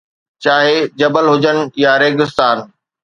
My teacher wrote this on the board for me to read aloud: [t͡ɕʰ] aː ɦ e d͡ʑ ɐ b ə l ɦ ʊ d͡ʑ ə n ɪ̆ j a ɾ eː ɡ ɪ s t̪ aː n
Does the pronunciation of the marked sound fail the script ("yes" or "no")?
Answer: yes